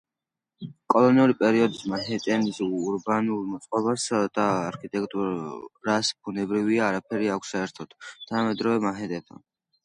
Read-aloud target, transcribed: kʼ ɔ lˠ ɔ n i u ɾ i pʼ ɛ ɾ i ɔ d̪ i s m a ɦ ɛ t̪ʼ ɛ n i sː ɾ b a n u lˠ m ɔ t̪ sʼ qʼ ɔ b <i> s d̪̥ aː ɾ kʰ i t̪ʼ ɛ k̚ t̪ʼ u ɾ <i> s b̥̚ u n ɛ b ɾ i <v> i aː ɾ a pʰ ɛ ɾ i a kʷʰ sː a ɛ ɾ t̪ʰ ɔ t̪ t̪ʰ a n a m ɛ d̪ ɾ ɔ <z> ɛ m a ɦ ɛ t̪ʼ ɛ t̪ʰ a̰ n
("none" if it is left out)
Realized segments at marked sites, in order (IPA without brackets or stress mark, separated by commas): a, a, v, v